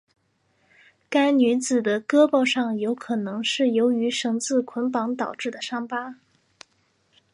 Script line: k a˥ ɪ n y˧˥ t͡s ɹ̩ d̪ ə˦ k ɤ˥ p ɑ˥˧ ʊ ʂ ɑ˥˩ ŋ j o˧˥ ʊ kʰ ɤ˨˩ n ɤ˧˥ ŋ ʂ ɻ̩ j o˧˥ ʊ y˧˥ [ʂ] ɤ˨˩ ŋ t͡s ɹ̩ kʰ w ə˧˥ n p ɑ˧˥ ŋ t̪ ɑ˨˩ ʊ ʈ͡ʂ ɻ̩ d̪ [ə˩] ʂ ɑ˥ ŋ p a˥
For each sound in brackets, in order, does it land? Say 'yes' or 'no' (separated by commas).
yes, yes